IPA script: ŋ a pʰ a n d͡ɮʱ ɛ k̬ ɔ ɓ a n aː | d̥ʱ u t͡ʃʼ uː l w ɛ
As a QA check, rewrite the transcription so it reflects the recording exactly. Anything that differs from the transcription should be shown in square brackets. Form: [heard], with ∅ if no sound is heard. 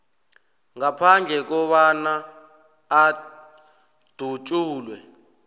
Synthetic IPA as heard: ŋ a pʰ a n d͡ɮʱ ɛ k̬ ɔ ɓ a n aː | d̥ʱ u t͡ʃʼ uː l w ɛ